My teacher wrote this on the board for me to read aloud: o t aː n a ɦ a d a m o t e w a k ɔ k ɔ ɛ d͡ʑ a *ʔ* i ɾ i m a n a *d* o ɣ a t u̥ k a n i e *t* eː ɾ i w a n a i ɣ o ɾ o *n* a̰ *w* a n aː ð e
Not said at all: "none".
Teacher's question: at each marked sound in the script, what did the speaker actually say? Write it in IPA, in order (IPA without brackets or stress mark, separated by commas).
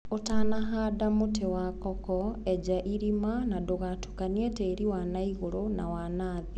ʔ, d, t, n, w